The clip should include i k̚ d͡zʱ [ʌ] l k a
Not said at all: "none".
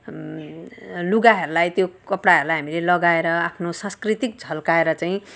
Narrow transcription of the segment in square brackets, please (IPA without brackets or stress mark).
ʌ